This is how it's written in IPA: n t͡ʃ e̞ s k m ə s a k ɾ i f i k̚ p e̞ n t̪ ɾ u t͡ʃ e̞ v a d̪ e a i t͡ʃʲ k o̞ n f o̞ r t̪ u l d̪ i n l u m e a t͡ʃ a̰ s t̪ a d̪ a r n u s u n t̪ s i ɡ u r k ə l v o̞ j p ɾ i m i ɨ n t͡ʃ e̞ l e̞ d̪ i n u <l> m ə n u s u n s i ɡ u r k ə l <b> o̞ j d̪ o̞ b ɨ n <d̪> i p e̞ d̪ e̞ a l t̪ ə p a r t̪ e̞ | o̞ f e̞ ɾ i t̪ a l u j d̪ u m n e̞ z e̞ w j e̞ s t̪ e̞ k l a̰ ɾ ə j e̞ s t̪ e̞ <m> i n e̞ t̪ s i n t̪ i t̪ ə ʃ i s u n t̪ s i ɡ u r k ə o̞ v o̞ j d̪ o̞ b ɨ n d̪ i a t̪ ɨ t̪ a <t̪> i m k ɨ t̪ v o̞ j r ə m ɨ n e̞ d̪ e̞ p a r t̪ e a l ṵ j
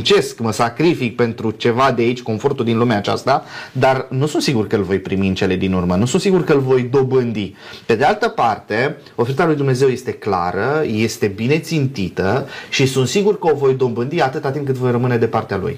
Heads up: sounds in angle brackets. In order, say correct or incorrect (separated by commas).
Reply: incorrect, incorrect, correct, incorrect, correct